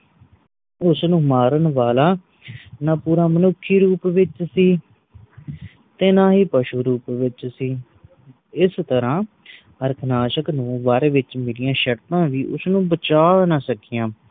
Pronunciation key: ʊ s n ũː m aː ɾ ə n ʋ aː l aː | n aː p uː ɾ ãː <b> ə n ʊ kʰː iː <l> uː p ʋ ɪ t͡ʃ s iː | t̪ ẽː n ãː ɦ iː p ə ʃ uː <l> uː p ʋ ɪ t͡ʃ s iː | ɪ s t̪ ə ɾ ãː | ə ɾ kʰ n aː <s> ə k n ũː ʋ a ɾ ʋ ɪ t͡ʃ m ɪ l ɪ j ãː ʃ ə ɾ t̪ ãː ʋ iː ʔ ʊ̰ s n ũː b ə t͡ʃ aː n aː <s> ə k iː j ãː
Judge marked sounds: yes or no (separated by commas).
no, no, no, no, yes